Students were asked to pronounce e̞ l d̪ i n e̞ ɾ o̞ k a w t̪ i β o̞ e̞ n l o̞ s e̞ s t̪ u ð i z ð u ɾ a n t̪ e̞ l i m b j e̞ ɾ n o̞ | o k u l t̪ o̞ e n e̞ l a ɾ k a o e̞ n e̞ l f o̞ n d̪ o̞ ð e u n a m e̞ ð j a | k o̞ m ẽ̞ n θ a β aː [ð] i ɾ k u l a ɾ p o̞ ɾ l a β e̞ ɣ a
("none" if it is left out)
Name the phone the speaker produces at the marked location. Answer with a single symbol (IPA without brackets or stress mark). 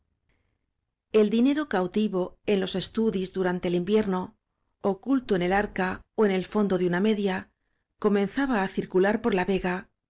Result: θ